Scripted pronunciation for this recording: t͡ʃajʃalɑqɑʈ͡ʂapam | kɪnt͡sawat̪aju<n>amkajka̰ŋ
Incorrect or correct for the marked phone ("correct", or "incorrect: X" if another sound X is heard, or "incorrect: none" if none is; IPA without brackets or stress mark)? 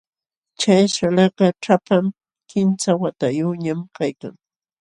incorrect: ɲ